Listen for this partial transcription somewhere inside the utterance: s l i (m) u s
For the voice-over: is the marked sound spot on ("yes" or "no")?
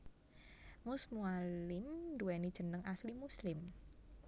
yes